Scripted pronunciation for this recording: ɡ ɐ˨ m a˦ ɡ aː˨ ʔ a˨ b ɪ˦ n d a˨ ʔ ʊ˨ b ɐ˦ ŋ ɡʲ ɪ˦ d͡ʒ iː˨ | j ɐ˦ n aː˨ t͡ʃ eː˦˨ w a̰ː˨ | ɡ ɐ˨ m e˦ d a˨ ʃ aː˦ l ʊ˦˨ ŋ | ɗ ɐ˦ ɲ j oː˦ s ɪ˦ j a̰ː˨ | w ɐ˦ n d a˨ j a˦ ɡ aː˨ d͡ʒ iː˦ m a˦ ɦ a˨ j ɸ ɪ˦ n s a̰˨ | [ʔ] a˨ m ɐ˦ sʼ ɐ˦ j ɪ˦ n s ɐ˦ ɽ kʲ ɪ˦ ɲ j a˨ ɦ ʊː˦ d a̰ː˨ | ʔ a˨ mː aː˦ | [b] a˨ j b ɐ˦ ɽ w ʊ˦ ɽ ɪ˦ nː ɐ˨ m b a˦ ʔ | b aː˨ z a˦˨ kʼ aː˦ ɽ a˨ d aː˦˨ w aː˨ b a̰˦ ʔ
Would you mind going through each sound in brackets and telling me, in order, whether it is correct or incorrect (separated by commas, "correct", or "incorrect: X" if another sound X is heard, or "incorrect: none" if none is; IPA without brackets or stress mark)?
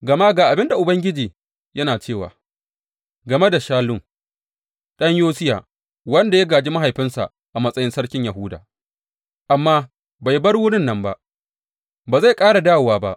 correct, correct